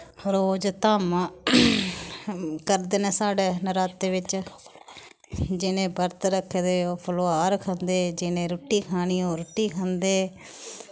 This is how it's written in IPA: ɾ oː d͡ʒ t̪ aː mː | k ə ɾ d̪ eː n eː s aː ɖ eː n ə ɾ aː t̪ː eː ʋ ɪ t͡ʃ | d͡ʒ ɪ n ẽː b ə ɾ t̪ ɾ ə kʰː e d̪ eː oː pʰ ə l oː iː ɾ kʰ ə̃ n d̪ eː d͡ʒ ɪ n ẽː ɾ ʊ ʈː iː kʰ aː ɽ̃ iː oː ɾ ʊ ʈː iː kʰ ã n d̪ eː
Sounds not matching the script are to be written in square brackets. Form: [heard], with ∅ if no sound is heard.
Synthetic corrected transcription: ɾ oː d͡ʒ t̪ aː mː | k ə ɾ d̪ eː n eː s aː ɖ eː n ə ɾ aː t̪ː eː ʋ ɪ t͡ʃ | d͡ʒ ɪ n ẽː b ə ɾ t̪ ɾ ə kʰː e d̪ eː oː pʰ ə l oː [aː] ɾ kʰ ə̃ n d̪ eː d͡ʒ ɪ n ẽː ɾ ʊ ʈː iː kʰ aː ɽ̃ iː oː ɾ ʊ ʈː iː kʰ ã n d̪ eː